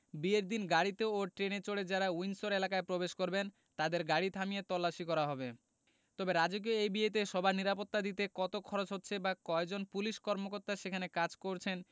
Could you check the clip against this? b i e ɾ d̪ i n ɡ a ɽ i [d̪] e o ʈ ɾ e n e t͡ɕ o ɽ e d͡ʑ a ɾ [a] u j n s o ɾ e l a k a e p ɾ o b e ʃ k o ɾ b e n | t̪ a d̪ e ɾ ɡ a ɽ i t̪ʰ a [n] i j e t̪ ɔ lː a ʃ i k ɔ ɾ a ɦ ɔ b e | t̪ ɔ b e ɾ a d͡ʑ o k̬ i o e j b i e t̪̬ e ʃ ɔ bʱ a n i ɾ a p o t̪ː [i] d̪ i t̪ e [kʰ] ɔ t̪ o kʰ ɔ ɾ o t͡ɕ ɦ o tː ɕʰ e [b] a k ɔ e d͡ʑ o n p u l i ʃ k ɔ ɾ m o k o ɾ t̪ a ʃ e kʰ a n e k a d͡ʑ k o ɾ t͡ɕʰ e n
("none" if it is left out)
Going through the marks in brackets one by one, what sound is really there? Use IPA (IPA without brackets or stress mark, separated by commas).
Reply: t̪, a, m, a, k, b